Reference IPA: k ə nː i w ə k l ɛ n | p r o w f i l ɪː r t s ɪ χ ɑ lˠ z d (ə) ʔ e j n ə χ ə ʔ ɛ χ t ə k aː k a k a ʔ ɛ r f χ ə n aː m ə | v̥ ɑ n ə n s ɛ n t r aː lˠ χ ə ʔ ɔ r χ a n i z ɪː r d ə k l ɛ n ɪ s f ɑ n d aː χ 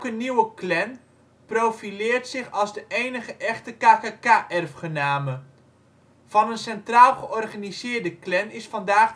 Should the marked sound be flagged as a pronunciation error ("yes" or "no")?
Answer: no